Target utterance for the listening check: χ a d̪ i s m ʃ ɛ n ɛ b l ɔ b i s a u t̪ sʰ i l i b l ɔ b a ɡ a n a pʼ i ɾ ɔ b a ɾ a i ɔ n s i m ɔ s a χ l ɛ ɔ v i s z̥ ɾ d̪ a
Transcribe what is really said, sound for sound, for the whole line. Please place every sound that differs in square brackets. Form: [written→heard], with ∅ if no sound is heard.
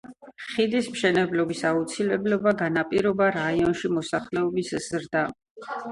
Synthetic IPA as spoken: χ [a→i] d̪ i s m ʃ ɛ n ɛ b l ɔ b i s a u t̪ sʰ i l [i→ɛ] b l ɔ b a ɡ a n a pʼ i ɾ ɔ b a ɾ a i ɔ n [s→ʃ] i m ɔ s a χ l ɛ ɔ [v→b] i s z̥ ɾ d̪ a